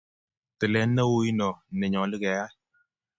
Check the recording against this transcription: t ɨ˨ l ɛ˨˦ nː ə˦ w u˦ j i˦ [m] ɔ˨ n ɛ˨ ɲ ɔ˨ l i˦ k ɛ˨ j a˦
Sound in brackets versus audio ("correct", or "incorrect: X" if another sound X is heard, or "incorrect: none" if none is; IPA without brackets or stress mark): incorrect: n